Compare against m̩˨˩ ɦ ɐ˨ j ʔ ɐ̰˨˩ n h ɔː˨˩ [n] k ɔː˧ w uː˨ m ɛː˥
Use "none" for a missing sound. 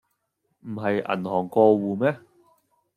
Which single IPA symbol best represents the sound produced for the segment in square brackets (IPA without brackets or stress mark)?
ŋ